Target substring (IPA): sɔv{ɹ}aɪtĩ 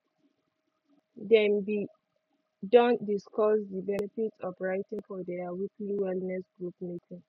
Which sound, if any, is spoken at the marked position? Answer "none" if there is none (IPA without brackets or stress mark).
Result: ɹ